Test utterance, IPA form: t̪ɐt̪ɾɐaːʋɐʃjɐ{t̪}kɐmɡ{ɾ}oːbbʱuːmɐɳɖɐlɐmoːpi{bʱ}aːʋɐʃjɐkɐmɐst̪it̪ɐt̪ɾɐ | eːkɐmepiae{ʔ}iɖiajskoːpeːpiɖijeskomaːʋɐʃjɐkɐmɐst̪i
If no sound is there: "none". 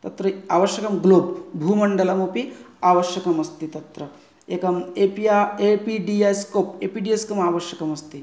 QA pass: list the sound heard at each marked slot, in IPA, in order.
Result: none, l, none, p

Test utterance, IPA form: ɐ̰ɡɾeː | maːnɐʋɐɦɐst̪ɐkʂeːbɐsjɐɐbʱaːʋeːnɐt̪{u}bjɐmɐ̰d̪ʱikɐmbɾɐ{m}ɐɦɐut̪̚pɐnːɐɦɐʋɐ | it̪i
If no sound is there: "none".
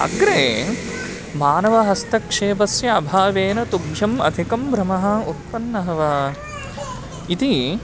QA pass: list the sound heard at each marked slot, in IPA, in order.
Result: u, m

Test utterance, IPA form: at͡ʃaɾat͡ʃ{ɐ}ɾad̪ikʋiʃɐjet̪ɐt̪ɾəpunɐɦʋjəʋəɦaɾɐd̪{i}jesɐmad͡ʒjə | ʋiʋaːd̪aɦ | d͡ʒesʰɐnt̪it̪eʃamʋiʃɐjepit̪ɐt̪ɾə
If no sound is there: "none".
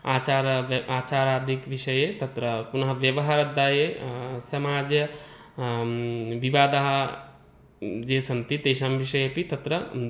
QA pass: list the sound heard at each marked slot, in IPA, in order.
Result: a, a

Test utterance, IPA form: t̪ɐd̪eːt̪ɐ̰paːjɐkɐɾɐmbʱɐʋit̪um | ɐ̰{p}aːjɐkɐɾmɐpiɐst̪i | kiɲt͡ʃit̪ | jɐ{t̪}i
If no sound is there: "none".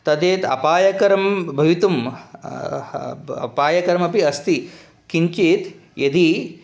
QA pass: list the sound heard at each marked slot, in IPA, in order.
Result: p, d̪

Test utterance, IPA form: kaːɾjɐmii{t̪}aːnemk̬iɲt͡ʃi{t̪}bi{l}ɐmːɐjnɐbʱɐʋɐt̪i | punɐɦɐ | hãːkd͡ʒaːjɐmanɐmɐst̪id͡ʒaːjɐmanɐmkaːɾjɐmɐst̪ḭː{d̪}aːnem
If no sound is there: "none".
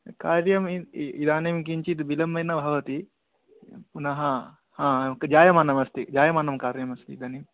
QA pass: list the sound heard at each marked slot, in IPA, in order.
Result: d̪, t̪, l, d̪

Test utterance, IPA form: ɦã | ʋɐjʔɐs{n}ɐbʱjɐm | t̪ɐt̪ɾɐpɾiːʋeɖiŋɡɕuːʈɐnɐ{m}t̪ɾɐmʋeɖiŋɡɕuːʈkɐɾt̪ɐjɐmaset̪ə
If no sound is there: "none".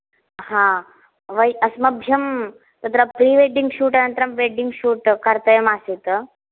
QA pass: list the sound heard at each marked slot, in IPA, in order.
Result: m, n

